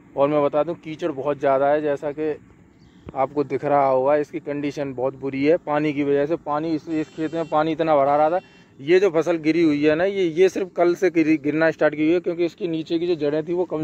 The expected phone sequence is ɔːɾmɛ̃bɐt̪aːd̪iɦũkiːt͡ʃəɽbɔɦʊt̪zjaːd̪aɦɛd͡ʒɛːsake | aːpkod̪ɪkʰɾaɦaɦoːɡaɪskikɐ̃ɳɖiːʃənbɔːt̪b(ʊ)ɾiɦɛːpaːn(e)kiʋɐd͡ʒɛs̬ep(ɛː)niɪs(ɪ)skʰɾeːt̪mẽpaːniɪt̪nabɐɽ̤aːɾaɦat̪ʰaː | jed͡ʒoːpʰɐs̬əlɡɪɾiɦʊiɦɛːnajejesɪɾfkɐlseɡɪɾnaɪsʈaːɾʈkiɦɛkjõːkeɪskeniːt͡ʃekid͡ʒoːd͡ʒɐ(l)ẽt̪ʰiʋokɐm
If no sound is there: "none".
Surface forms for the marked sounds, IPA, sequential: ʊ, i, aː, ɪ, ɽ

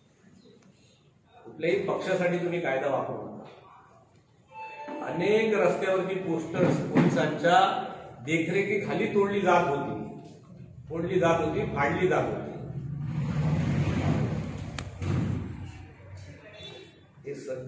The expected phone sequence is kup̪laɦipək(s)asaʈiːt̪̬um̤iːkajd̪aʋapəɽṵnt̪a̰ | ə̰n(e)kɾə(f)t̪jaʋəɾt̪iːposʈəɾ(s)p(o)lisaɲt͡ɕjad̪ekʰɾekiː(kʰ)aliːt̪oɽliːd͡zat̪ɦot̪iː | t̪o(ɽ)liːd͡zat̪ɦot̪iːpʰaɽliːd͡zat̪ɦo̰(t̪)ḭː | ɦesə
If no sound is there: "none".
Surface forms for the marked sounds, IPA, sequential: ʂ, e, s, s, o, kʰ, ɽ, t̪

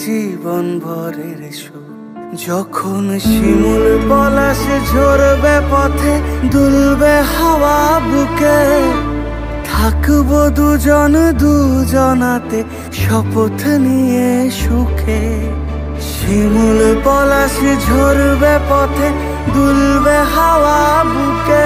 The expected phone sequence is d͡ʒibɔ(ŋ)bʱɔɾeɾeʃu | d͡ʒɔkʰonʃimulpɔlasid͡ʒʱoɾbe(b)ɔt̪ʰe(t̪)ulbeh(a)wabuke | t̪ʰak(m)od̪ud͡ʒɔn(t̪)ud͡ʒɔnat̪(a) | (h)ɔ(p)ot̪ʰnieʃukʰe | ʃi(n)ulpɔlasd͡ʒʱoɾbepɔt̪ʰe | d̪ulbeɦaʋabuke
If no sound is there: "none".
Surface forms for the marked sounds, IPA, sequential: n, p, d̪, a, b, d̪, e, ʃ, p, m

